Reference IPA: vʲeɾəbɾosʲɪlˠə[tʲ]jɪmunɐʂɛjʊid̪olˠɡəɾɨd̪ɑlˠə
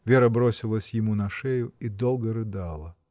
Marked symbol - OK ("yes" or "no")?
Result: no